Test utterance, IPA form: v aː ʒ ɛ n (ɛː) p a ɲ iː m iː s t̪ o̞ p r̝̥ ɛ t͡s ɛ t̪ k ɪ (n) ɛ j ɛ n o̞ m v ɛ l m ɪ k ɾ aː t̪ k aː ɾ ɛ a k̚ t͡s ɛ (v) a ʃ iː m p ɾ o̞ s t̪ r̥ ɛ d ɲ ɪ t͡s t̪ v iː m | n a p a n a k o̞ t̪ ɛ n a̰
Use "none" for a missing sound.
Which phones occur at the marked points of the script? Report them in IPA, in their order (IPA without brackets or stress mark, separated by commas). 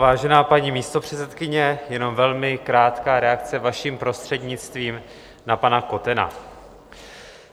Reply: aː, ɲ, v